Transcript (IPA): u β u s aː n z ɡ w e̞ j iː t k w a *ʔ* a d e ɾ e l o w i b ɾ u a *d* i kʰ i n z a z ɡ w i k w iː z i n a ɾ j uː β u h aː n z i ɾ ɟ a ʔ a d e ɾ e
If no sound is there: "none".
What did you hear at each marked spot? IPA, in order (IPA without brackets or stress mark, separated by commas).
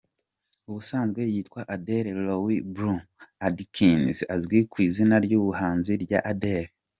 ʔ, d